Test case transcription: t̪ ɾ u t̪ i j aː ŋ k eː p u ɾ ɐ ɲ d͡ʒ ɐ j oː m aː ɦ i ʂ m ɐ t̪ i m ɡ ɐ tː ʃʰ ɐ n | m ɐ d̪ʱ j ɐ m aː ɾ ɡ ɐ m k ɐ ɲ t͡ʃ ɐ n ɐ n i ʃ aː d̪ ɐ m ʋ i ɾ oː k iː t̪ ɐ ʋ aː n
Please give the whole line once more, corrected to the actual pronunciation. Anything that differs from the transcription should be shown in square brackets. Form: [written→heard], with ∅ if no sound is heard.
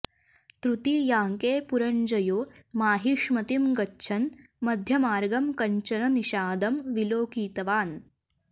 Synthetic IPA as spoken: t̪ ɾ u t̪ i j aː ŋ k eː p u ɾ ɐ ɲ d͡ʒ ɐ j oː m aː ɦ i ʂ m ɐ t̪ i m ɡ ɐ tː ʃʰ ɐ n | m ɐ d̪ʱ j ɐ m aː ɾ ɡ ɐ m k ɐ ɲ t͡ʃ ɐ n ɐ n i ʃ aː d̪ ɐ m ʋ i [ɾ→l] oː k iː t̪ ɐ ʋ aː n